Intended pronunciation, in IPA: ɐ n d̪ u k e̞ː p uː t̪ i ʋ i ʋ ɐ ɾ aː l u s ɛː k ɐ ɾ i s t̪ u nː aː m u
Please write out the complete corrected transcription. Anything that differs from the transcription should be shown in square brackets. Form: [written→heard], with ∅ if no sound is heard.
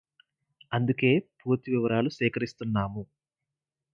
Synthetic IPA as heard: ɐ n d̪ u k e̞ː p uː t̪ i ʋ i ʋ ɐ ɾ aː l u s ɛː k ɐ ɾ i s t̪ u nː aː m u